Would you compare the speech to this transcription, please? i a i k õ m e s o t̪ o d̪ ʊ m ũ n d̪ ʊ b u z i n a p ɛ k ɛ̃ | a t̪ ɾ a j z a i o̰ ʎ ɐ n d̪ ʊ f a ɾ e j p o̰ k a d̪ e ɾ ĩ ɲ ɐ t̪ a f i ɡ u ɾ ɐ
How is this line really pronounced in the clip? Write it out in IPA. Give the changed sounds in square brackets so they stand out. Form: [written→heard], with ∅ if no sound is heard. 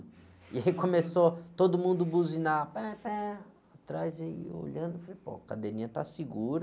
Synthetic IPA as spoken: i a i k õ m e s o t̪ o d̪ ʊ m ũ n d̪ ʊ b u z i n a p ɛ [k→p] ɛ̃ | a t̪ ɾ a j z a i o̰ ʎ [ɐ→ɐ̃] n d̪ ʊ f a [ɾ→l] e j p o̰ k a d̪ e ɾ ĩ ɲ ɐ t̪ a [f→s] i ɡ u ɾ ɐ